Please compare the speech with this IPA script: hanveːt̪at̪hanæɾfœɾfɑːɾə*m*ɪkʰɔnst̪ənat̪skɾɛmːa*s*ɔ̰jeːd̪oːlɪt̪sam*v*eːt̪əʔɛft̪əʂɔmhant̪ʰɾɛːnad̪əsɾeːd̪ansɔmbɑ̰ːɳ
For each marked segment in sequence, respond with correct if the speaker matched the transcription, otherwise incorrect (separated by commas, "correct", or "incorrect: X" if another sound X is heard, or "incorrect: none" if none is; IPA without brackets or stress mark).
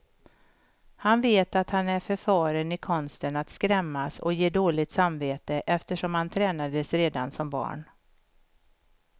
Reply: incorrect: n, correct, correct